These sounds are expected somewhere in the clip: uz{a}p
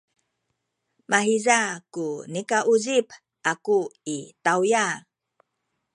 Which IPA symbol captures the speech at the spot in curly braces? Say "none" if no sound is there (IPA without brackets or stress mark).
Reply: i